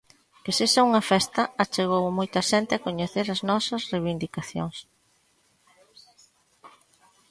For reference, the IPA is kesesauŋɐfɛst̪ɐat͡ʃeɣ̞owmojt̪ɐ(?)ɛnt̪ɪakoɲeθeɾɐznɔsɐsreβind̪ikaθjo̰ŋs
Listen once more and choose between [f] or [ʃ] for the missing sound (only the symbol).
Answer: ʃ